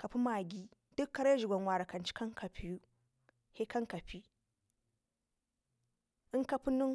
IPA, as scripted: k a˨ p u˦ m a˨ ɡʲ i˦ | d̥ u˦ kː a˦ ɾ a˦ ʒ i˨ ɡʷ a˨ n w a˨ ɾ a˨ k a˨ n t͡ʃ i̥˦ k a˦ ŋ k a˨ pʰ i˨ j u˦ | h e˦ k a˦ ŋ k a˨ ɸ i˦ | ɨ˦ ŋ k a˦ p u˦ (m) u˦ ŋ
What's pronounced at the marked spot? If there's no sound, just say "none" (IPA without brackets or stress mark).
n